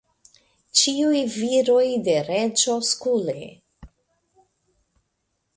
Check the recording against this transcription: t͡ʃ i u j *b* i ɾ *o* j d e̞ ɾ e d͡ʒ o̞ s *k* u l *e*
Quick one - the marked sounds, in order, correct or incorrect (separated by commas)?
incorrect, correct, correct, correct